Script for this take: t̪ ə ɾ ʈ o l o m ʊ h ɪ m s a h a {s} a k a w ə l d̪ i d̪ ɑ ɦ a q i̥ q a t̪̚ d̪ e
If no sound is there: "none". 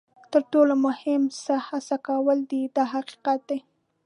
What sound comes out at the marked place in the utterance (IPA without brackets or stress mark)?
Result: s